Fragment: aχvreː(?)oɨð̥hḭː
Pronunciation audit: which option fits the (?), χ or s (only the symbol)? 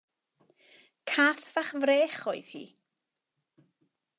χ